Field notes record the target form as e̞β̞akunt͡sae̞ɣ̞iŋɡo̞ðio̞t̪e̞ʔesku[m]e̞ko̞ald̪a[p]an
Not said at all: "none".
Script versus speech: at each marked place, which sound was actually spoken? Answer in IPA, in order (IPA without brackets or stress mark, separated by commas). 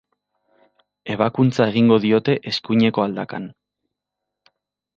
ɲ, k